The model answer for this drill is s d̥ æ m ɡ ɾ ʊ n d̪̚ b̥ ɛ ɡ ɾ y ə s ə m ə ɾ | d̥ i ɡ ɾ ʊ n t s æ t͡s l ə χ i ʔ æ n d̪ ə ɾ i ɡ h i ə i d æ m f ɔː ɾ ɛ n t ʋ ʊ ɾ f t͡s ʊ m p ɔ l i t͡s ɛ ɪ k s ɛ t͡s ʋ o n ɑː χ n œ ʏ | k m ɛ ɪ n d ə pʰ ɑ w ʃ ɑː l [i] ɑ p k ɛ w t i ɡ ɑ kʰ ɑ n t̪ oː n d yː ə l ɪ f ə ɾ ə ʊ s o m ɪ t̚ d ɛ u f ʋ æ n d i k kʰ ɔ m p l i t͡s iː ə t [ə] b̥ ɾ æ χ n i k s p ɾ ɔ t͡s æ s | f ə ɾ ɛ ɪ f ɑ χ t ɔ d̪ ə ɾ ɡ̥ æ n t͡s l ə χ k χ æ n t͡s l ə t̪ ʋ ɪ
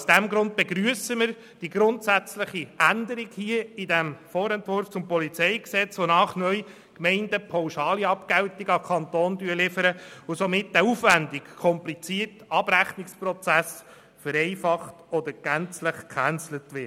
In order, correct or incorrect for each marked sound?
correct, incorrect

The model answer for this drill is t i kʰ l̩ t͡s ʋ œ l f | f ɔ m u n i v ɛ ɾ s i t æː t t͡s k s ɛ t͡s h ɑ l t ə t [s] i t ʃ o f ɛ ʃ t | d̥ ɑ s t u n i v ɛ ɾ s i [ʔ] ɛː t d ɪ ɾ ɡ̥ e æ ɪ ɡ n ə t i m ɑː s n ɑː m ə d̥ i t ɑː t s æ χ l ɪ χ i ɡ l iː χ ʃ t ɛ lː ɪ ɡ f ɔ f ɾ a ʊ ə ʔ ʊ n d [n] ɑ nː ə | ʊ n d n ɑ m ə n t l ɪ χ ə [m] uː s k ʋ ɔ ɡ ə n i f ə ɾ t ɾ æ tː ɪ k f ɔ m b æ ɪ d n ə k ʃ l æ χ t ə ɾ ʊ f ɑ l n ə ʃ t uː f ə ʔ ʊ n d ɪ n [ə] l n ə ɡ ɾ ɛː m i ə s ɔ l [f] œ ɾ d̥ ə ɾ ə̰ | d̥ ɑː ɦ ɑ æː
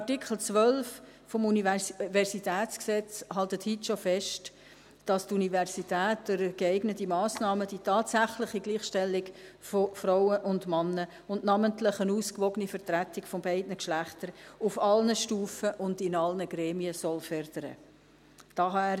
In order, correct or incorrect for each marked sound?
incorrect, incorrect, incorrect, incorrect, incorrect, correct

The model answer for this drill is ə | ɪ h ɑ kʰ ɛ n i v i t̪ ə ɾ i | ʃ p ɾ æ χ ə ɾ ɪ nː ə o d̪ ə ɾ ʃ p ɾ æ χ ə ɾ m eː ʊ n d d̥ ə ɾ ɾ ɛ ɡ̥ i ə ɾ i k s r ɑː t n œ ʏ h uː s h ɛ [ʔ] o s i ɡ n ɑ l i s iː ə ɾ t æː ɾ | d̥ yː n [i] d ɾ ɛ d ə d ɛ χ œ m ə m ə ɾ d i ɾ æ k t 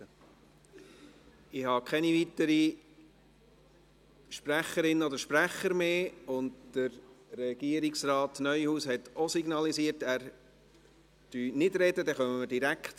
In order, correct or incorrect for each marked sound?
incorrect, incorrect

